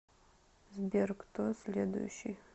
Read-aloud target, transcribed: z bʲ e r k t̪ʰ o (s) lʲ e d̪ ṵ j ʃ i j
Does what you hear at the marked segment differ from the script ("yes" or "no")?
no